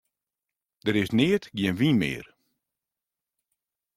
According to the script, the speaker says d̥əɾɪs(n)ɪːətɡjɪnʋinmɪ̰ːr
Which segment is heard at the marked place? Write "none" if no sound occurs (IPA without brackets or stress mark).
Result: n